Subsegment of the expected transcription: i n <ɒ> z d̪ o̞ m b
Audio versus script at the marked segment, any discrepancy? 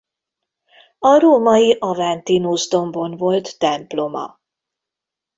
yes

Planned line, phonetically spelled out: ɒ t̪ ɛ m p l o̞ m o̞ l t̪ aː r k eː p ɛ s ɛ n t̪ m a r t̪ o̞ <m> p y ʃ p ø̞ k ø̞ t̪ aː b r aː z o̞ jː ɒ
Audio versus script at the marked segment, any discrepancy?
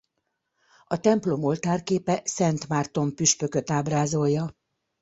no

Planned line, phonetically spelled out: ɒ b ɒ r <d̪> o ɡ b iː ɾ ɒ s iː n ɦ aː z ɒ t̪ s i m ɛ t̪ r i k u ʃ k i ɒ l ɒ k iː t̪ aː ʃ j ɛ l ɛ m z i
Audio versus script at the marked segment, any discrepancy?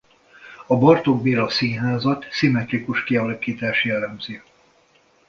yes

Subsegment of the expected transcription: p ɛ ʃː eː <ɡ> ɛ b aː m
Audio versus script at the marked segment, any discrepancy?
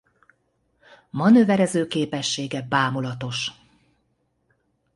no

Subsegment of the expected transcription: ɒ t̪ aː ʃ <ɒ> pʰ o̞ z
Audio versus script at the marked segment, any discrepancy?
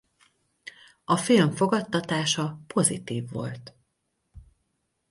no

